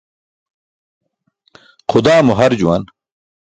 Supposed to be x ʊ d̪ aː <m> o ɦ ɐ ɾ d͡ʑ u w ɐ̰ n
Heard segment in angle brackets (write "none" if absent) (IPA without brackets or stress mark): m